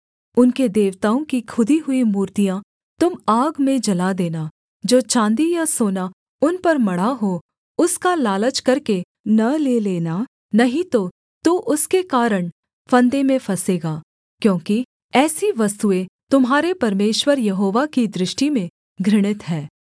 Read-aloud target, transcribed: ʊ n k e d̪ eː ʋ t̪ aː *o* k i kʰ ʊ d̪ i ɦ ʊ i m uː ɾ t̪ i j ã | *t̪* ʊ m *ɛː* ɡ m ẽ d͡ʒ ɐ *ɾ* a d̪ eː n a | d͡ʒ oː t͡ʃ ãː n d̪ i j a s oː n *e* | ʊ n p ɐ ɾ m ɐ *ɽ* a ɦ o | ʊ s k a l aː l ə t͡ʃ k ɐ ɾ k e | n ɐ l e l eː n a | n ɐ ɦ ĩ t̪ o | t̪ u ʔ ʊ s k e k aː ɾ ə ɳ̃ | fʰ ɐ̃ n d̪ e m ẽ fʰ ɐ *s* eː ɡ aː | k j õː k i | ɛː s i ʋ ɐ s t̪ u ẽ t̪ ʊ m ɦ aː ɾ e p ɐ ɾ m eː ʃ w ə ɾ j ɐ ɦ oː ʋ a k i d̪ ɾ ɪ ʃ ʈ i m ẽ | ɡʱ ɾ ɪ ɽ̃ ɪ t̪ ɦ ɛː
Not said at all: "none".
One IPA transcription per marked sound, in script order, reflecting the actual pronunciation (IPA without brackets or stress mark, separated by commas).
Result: õ, t̪, aː, l, a, ɽ, s